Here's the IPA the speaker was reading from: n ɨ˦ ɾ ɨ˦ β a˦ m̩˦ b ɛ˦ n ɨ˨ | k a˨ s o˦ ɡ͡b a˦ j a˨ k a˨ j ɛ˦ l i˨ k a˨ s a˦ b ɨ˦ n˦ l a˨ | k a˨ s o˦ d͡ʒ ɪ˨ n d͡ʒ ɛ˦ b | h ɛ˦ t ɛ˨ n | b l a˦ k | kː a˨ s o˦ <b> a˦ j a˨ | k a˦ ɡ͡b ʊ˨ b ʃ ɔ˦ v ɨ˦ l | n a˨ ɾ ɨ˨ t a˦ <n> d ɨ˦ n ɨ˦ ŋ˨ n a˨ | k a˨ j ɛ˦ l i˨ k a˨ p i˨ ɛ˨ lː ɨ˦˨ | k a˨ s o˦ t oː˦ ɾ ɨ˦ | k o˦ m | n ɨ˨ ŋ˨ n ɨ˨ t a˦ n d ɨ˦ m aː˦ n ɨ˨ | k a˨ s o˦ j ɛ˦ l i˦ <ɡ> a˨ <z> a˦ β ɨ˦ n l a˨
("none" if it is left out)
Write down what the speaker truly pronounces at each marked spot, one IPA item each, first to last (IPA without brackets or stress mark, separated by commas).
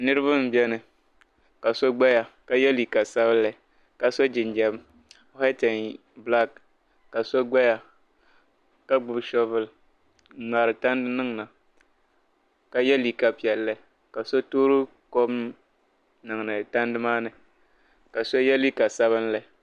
ɡ͡b, n, k, s